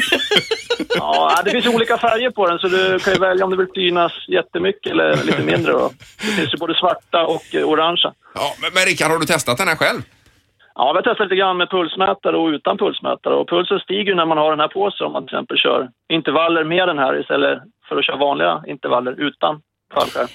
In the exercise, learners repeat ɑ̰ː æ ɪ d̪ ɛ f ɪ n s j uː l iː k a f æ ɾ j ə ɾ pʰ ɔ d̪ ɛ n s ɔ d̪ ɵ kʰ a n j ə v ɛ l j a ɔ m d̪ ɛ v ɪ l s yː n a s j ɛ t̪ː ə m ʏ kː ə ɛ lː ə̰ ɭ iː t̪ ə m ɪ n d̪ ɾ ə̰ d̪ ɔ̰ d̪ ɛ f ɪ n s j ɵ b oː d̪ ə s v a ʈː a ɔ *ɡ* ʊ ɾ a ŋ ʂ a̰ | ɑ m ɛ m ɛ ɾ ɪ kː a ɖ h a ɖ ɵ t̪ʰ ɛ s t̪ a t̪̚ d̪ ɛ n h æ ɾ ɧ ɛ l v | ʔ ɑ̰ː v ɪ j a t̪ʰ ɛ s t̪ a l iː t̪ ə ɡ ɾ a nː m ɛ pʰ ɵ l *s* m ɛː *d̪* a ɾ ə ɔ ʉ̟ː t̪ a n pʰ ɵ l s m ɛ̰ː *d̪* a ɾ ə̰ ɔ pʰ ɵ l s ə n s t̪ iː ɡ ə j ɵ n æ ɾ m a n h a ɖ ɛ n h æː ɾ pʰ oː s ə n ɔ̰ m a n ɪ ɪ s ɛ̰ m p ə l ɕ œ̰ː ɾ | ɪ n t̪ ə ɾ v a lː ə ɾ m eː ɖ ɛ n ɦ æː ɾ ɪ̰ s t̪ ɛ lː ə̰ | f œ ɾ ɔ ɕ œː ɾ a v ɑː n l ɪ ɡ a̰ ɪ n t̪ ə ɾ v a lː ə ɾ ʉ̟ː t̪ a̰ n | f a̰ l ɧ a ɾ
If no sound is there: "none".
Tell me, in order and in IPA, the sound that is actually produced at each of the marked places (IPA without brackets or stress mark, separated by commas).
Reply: k, s, t̪, t̪